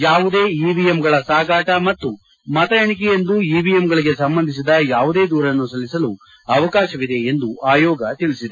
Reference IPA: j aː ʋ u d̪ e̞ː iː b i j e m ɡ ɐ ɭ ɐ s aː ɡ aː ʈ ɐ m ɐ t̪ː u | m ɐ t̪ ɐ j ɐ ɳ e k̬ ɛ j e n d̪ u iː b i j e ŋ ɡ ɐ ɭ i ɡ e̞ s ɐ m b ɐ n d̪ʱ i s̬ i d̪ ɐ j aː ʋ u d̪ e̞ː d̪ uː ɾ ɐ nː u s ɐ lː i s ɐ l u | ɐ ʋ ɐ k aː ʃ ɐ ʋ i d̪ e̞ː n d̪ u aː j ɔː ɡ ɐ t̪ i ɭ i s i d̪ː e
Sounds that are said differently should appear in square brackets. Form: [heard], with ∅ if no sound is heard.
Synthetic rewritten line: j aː ʋ u d̪ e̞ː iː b i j e m ɡ ɐ ɭ ɐ s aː ɡ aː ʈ ɐ m ɐ t̪ː u | m ɐ t̪ ɐ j ɐ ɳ [i] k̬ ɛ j e n d̪ u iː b i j e [m] ɡ ɐ ɭ i ɡ e̞ s ɐ m b ɐ n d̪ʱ i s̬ i d̪ ɐ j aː ʋ u d̪ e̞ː d̪ uː ɾ ɐ nː u s ɐ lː i s ɐ l u | ɐ ʋ ɐ k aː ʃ ɐ ʋ i d̪ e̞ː n d̪ u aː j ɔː ɡ ɐ t̪ i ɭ i s i [d̪] e